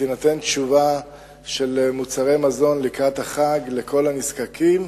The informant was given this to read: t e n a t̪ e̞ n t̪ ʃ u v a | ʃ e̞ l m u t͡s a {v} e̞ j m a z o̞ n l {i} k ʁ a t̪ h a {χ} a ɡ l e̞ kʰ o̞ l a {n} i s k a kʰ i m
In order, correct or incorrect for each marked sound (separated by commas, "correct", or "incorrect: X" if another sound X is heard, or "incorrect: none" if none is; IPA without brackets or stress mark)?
incorrect: ʁ, correct, correct, correct